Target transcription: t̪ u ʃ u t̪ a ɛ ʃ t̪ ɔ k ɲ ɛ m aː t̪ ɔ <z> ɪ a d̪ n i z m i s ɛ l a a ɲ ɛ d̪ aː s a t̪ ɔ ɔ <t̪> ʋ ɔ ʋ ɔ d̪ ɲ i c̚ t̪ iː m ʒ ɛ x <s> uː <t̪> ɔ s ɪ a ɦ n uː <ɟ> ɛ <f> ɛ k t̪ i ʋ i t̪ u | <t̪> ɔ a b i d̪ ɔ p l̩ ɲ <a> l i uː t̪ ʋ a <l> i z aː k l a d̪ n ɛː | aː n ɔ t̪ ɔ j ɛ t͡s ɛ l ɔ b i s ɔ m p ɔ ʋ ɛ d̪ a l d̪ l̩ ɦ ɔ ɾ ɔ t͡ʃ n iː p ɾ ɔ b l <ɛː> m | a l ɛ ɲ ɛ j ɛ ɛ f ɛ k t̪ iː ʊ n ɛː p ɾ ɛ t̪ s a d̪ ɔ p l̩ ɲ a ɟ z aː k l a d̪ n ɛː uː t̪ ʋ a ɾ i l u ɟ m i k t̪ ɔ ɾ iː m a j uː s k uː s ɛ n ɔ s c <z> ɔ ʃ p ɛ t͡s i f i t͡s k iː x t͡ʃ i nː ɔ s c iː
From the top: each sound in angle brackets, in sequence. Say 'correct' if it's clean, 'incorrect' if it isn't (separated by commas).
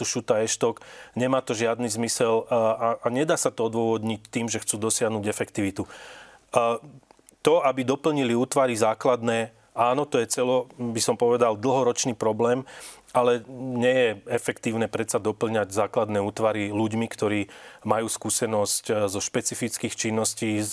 incorrect, incorrect, incorrect, incorrect, correct, correct, correct, incorrect, incorrect, correct, correct